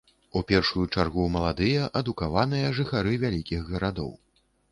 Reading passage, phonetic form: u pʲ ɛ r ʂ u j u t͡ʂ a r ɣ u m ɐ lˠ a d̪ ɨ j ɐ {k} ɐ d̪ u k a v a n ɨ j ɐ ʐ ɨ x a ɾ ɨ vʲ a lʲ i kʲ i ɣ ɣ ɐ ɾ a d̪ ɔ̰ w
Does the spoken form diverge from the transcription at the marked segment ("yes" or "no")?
yes